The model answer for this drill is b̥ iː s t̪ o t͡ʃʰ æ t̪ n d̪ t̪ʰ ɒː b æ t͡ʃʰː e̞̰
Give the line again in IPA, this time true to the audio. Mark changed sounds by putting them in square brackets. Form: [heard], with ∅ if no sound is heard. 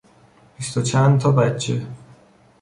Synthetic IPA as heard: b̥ [i] s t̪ o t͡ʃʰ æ [∅] n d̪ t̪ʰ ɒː b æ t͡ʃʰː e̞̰